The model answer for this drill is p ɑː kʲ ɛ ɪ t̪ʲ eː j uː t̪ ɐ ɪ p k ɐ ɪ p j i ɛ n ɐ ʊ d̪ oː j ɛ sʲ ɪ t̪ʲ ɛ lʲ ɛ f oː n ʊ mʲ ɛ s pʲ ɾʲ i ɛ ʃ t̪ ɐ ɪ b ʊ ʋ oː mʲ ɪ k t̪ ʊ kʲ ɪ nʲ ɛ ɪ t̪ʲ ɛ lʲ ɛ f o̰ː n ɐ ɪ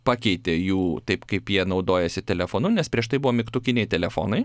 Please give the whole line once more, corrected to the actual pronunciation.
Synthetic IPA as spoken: p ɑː kʲ ɛ ɪ t̪ʲ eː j uː t̪ ɐ ɪ p k ɐ ɪ p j i ɛ n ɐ ʊ d̪ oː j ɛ sʲ ɪ t̪ʲ ɛ lʲ ɛ f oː n ʊ nʲ ɛ s pʲ ɾʲ i ɛ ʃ t̪ ɐ ɪ b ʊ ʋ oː mʲ ɪ k t̪ ʊ kʲ ɪ nʲ ɛ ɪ t̪ʲ ɛ lʲ ɛ f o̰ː n ɐ ɪ